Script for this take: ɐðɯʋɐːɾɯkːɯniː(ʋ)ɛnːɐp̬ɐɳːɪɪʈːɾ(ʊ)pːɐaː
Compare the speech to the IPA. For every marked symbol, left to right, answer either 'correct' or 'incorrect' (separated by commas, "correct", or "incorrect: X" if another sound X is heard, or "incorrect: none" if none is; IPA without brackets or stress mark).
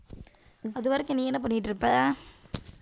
incorrect: none, incorrect: ɯ